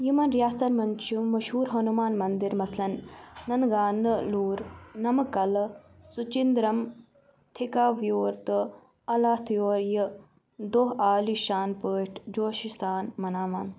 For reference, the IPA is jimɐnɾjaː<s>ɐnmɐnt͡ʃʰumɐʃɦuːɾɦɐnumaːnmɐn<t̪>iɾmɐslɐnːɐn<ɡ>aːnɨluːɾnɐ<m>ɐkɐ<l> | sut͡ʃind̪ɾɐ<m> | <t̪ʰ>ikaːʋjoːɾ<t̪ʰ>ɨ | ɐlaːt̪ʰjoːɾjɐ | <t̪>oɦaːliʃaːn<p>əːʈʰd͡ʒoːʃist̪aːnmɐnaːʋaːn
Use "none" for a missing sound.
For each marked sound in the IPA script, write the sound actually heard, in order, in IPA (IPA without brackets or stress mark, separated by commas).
s, d̪, ɡ, m, l, m, t̪ʰ, t̪, d̪, p